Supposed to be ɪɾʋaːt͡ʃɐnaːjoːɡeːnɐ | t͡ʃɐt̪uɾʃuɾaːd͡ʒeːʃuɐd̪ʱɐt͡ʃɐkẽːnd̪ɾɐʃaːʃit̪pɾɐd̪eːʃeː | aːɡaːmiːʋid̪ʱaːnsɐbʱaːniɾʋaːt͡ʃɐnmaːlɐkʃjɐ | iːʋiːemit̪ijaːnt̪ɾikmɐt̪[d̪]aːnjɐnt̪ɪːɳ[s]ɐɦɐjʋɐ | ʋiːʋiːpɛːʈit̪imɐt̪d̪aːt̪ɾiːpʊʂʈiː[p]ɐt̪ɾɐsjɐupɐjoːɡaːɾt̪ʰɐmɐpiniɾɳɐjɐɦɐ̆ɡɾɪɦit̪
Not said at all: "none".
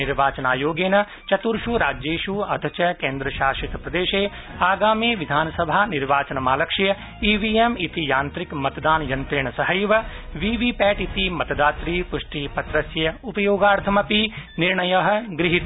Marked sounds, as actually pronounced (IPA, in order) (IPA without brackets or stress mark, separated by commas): d̪, s, p